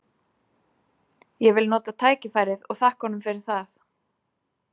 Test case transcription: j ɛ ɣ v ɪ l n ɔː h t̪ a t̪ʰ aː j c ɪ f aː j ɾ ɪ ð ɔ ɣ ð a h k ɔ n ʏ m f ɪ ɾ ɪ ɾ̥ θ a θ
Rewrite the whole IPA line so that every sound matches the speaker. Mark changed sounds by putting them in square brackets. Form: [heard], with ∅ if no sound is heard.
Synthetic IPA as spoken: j ɛ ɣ v ɪ l n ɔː [∅] t̪ a t̪ʰ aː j c ɪ f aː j ɾ ɪ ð ɔ ɣ [θ] a h k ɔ n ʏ m f ɪ ɾ ɪ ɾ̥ θ a θ